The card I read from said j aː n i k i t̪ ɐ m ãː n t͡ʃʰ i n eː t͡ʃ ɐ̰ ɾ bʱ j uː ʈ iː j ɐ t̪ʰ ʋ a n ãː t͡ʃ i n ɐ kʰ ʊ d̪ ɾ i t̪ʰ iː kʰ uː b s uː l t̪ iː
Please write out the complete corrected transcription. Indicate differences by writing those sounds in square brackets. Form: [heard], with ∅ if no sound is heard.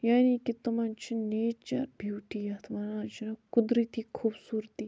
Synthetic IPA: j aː n i k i t̪ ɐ m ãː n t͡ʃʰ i n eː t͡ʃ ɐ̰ ɾ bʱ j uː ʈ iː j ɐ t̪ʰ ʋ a n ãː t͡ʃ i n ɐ [k] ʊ d̪ ɾ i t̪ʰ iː kʰ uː b s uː [ɾ] t̪ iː